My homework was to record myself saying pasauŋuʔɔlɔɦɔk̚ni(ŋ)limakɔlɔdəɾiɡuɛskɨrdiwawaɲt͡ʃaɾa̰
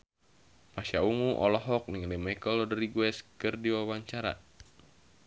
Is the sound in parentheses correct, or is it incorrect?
correct